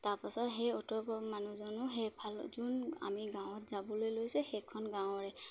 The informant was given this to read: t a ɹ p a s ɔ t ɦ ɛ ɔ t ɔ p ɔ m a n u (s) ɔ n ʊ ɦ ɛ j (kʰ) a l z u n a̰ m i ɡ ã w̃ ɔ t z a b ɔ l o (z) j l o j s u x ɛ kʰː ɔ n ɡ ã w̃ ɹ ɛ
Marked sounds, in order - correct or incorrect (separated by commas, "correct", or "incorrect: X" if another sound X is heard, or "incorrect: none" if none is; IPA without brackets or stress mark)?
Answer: incorrect: z, incorrect: pʰ, incorrect: none